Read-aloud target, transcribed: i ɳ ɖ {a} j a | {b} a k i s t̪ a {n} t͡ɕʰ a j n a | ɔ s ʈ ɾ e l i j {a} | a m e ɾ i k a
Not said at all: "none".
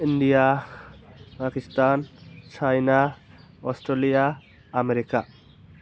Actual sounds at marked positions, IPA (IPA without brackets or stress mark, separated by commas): i, p, n, a